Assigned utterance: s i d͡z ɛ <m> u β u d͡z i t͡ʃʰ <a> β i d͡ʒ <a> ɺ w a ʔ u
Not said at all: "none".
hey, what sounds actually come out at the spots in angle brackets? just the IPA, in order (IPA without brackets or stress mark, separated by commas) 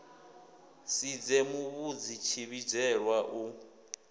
m, i, ɛ